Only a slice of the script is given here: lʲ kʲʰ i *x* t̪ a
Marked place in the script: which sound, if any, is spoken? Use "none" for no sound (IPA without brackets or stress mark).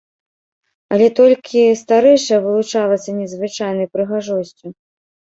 s